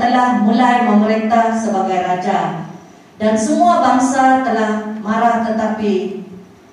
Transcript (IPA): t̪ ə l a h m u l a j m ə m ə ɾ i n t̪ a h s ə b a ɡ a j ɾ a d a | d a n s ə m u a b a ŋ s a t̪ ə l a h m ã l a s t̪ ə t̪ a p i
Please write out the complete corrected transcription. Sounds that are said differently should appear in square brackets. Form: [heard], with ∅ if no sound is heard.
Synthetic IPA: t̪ ə l a h m u l a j m ə m ə ɾ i n t̪ a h s ə b a ɡ a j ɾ a [d͡ʒ] a | d a n s ə m u a b a ŋ s a t̪ ə l a h m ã [ɾ] a [h] t̪ ə t̪ a p i